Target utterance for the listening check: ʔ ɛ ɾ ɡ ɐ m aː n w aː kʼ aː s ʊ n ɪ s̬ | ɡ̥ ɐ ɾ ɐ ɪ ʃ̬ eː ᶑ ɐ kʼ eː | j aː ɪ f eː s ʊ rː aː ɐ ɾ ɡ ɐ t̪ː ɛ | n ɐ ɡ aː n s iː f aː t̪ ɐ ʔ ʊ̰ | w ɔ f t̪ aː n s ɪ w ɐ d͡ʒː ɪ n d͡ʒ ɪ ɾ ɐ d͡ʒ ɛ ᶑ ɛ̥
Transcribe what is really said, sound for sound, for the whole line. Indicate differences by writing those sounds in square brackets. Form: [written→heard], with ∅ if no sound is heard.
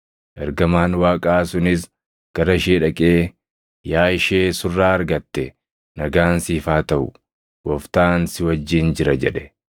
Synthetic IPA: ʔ ɛ ɾ ɡ ɐ m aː n w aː kʼ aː s ʊ n ɪ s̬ | ɡ̥ ɐ ɾ ɐ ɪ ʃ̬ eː ᶑ ɐ kʼ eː | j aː ɪ [f→ʃ] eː s ʊ rː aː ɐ ɾ ɡ ɐ t̪ː ɛ | n ɐ ɡ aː n s iː f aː t̪ ɐ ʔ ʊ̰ | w ɔ f t̪ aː n s ɪ w ɐ d͡ʒː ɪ n d͡ʒ ɪ ɾ ɐ d͡ʒ ɛ ᶑ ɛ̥